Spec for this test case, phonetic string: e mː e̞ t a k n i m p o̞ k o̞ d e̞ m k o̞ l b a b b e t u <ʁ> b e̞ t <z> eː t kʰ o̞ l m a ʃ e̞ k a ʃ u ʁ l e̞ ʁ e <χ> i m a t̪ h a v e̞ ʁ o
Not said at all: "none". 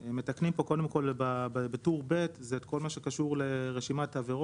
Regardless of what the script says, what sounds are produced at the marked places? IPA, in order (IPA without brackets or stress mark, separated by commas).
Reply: ʁ, z, ʃ